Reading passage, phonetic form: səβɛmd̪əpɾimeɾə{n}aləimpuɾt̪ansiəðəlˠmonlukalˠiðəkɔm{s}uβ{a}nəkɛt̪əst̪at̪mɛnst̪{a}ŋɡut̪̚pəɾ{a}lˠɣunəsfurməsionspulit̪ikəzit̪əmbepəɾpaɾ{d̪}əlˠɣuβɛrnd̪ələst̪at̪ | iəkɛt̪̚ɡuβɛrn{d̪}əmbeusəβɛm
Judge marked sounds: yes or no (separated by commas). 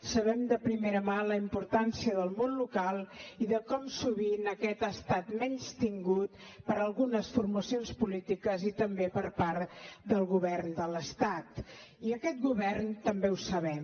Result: no, yes, no, no, no, yes, no